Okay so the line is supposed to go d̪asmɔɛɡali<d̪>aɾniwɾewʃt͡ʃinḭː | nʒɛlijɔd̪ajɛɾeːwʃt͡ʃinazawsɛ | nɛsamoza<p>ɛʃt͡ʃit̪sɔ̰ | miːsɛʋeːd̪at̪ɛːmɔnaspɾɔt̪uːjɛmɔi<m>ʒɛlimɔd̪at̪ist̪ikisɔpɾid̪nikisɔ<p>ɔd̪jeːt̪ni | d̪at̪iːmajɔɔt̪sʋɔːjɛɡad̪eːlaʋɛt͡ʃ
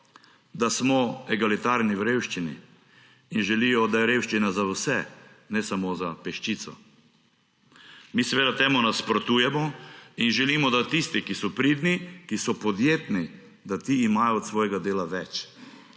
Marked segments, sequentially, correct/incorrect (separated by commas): incorrect, correct, incorrect, correct